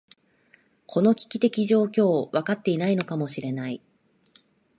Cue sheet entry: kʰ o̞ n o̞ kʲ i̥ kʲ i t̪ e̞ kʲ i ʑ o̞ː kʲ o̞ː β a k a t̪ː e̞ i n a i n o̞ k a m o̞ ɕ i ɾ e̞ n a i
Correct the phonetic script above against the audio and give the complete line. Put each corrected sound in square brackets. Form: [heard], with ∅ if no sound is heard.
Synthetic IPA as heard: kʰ o̞ n o̞ kʲ i̥ kʲ i t̪ e̞ kʲ i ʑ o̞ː kʲ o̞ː β a k a t̪ː e̞ i n a i n o̞ k a m o̞ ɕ i ɾ e̞ n a i